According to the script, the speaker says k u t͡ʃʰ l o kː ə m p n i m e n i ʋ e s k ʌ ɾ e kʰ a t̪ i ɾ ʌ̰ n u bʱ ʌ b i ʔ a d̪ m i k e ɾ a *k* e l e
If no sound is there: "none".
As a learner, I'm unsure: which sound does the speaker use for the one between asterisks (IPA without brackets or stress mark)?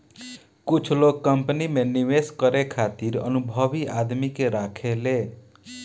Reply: kʰ